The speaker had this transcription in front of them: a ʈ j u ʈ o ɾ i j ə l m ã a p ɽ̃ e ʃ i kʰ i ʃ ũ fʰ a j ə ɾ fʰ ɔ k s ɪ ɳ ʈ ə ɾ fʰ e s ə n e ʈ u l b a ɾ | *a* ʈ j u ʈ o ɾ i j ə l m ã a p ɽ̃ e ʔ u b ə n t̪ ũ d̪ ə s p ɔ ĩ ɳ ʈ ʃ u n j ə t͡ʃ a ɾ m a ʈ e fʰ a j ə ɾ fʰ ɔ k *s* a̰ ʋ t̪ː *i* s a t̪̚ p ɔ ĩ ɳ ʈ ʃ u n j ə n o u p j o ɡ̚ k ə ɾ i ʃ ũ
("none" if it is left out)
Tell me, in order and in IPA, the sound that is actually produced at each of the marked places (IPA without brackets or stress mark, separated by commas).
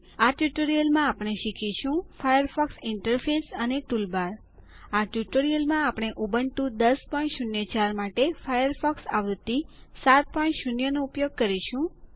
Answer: a, s, i